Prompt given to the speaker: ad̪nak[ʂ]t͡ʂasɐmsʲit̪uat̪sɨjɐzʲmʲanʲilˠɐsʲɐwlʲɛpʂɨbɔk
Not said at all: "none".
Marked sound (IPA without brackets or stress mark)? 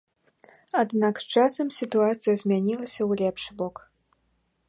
s